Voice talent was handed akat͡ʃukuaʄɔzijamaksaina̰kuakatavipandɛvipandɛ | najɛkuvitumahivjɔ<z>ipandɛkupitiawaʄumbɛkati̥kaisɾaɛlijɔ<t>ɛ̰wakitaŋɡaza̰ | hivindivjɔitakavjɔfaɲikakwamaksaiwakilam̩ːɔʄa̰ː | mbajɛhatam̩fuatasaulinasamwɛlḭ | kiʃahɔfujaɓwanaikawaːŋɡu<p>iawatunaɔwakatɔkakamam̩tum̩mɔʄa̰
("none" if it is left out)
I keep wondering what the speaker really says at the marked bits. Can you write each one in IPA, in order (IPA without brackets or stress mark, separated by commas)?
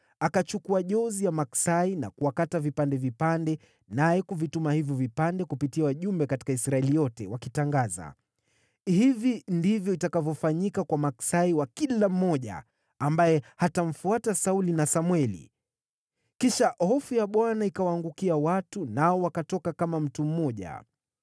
v, t, k